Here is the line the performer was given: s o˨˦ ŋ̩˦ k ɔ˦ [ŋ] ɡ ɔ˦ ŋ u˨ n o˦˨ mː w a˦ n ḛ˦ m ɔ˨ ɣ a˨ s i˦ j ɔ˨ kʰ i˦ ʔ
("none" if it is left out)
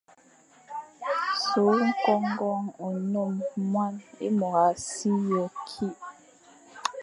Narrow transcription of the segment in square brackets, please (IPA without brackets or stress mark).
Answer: ŋ